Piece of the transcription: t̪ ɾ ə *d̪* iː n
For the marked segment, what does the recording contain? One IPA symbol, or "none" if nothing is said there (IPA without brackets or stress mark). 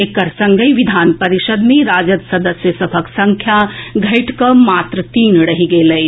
t̪